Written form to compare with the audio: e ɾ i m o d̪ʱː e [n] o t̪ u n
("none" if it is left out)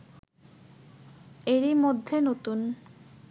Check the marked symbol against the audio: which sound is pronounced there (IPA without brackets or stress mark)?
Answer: n